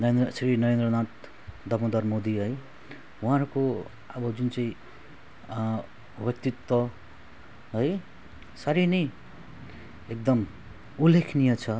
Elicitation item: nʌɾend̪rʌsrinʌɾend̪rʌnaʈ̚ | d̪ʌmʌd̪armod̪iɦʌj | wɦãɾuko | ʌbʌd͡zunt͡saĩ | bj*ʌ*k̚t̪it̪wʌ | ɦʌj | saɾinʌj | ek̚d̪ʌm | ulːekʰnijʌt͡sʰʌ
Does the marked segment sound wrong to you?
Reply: no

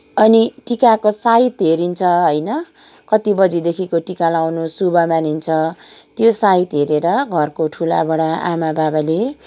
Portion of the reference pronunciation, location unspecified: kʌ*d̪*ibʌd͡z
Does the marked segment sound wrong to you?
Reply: yes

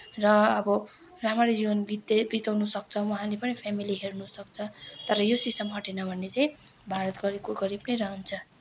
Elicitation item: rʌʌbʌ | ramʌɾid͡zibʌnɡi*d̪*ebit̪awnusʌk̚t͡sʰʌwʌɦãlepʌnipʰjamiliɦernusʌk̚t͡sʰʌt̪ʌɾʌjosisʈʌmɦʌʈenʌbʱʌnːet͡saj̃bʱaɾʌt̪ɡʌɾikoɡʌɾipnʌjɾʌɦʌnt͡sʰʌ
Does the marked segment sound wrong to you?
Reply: yes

